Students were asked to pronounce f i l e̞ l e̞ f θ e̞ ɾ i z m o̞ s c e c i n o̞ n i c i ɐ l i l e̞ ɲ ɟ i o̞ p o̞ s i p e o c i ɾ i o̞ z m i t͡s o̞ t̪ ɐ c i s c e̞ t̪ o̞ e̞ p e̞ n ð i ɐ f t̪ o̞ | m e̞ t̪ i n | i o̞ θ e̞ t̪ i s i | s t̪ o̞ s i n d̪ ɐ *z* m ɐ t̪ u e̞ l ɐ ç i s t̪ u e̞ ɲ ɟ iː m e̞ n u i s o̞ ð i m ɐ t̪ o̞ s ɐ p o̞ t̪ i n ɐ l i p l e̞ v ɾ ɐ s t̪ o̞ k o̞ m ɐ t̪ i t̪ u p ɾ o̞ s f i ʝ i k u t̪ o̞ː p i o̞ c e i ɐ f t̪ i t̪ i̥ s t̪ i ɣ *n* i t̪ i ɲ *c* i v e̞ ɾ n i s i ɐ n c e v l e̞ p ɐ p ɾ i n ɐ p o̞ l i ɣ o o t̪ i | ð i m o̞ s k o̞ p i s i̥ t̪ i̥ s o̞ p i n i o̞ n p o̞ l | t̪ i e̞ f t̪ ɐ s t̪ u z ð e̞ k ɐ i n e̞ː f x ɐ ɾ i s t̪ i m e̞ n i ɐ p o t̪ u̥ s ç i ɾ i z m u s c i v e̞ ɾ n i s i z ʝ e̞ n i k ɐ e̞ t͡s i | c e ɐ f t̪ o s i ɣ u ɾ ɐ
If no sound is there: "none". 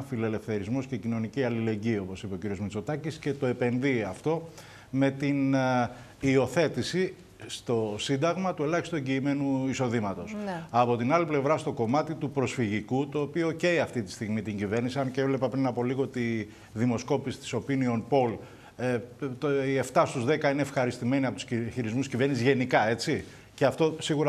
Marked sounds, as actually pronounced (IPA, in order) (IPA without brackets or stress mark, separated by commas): ɣ, m, ɟ